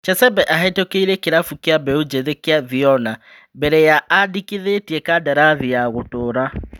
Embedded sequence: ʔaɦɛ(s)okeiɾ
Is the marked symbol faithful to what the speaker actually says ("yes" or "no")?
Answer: no